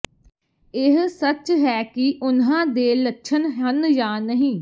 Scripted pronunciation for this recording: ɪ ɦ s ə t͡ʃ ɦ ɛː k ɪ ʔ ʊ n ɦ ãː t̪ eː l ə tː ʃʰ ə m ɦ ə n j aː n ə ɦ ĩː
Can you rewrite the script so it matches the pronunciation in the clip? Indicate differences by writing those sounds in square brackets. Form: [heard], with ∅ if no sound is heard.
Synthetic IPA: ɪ ɦ s ə t͡ʃ ɦ ɛː k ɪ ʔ ʊ n ɦ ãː [d̪] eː l ə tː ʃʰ ə [n] ɦ ə n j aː n ə ɦ ĩː